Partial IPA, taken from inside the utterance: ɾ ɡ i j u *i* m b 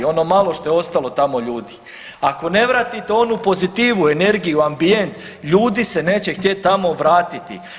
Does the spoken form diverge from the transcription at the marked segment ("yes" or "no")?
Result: yes